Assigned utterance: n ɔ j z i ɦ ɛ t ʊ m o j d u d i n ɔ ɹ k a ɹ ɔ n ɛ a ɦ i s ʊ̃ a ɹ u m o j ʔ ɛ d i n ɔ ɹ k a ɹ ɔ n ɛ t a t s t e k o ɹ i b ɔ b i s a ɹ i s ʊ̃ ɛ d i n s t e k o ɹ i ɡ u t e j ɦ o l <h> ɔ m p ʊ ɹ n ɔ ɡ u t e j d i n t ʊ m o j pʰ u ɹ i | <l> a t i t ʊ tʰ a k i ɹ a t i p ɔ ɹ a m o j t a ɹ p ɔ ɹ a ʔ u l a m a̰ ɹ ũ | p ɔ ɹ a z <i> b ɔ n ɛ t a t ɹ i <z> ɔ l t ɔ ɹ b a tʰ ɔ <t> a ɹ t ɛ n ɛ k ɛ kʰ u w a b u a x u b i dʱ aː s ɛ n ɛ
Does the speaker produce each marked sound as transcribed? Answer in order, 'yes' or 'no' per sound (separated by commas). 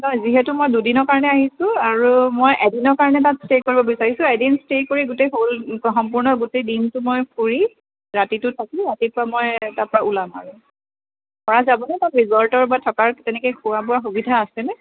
no, no, no, yes, no